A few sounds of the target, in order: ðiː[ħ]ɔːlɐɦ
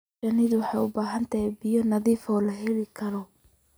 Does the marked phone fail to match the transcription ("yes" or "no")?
yes